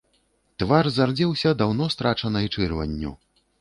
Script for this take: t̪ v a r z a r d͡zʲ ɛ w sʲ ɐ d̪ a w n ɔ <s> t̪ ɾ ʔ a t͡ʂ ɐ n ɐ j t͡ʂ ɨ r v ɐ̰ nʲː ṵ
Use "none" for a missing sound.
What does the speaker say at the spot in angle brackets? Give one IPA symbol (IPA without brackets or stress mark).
s